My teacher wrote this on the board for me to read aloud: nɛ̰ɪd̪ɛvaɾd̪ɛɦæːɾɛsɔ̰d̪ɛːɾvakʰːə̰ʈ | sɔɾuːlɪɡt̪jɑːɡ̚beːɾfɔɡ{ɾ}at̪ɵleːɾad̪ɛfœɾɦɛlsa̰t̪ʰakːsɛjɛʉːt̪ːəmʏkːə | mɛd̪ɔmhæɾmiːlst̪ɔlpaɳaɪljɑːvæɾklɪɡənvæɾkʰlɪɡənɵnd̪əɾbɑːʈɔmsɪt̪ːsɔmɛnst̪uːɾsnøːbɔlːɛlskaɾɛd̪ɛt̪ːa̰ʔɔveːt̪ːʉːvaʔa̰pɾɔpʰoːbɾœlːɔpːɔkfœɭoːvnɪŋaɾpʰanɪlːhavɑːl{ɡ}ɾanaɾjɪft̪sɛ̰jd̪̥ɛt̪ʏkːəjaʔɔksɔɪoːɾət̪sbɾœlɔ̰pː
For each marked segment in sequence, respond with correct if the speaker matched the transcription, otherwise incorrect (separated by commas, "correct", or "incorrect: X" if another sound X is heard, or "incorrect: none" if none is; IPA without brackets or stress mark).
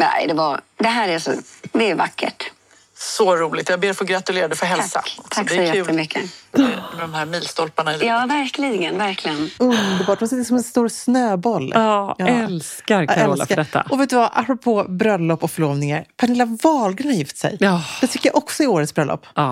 correct, correct